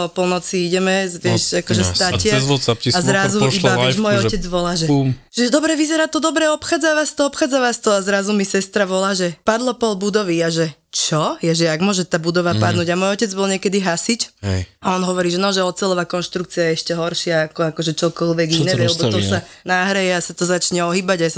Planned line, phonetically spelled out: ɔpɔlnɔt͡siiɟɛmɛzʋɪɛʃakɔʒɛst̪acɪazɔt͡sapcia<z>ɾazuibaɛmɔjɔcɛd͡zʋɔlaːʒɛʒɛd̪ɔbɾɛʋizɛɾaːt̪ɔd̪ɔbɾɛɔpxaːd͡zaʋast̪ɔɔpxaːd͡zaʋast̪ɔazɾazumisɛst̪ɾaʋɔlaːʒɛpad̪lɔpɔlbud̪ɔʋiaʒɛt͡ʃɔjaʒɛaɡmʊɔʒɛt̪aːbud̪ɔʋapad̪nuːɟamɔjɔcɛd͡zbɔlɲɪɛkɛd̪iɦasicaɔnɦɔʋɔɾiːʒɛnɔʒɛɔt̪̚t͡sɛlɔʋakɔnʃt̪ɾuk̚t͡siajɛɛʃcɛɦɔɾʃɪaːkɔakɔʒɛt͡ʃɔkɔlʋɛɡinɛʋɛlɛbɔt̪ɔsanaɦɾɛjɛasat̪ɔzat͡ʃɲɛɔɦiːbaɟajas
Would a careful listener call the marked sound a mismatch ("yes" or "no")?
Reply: no